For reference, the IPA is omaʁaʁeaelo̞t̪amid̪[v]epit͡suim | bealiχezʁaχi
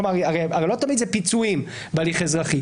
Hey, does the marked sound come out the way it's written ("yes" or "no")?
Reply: no